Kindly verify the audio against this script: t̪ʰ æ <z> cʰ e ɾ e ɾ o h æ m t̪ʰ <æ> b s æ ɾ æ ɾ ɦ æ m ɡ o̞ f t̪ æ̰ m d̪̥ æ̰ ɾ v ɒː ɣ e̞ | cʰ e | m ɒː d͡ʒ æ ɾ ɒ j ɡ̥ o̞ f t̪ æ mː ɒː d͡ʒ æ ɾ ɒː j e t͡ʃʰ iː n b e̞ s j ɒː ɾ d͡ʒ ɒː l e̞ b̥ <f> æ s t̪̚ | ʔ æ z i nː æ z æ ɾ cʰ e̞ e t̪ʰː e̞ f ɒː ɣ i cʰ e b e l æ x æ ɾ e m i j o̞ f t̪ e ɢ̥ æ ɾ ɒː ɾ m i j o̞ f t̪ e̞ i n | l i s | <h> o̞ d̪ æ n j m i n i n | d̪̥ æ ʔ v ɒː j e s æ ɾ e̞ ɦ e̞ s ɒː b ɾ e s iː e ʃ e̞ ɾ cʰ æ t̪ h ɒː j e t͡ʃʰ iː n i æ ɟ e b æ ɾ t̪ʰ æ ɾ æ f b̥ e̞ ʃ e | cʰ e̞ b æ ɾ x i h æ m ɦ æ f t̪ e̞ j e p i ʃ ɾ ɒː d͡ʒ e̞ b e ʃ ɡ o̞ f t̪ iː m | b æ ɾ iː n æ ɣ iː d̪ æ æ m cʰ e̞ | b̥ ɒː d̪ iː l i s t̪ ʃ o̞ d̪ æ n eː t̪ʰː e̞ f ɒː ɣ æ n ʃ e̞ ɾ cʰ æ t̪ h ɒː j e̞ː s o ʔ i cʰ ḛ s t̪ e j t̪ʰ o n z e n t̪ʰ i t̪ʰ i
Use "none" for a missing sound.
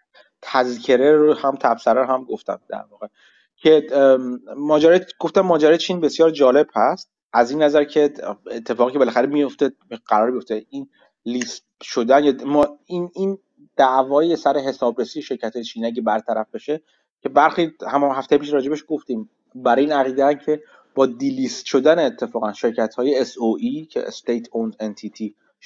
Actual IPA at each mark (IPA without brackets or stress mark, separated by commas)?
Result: z, æ, h, ʃ